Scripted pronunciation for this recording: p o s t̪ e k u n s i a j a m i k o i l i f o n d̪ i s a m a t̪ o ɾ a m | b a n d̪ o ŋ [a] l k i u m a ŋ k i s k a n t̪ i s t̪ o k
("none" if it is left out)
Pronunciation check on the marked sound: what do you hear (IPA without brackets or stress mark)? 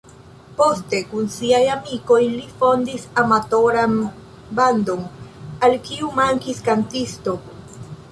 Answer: a